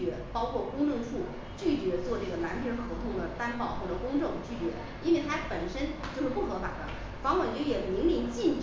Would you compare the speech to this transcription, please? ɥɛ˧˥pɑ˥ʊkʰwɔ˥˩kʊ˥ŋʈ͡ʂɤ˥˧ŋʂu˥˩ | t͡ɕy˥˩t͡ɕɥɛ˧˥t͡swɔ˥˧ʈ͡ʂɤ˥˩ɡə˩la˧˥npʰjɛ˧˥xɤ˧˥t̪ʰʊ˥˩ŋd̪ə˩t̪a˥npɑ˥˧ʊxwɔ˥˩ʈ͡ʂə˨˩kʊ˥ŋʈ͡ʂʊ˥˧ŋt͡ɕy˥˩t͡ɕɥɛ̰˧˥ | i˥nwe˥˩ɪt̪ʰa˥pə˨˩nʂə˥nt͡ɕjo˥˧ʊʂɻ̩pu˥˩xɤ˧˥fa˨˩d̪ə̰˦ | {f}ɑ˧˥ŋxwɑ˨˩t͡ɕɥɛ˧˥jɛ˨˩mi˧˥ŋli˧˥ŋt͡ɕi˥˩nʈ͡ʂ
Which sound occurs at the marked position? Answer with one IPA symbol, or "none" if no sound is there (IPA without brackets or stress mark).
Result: f